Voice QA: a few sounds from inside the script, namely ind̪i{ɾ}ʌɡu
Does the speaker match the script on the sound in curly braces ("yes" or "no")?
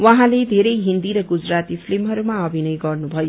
yes